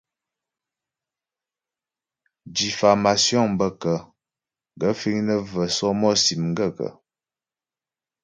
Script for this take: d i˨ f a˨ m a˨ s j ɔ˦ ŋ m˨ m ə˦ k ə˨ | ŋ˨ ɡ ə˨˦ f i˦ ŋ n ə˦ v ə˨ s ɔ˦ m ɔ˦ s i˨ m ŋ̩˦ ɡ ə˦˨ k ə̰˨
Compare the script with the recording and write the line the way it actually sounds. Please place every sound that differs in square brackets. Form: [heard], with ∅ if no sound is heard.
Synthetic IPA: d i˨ f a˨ m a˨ s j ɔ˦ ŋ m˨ [b] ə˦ k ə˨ | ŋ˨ ɡ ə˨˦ f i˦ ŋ n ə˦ v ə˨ s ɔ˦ m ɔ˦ s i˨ m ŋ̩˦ ɡ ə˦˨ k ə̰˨